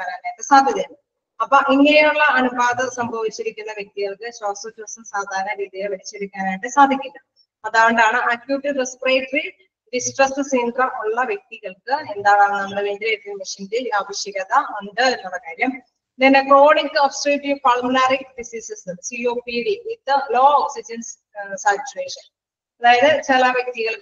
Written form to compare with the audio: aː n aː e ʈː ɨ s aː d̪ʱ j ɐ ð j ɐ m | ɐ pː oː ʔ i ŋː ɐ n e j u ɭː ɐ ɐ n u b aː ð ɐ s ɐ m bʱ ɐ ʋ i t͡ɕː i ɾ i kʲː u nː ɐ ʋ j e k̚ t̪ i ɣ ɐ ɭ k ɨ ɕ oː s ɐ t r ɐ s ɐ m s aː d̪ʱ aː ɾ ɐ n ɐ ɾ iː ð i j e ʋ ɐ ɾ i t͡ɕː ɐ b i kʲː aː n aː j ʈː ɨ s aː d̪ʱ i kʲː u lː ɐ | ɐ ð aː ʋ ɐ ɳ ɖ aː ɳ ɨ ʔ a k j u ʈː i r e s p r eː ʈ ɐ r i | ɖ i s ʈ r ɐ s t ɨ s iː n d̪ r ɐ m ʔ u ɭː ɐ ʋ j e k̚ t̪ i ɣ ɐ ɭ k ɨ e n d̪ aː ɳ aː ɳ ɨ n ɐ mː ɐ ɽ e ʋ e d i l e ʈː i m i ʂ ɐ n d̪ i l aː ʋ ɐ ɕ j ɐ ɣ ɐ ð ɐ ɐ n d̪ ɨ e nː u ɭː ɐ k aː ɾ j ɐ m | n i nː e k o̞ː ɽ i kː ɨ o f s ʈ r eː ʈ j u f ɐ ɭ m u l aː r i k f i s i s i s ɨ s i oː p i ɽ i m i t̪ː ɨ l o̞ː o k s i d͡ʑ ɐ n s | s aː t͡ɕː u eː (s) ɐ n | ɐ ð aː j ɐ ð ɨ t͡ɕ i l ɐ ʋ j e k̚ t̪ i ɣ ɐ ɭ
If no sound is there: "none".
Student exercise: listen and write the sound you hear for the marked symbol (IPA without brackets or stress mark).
ʂ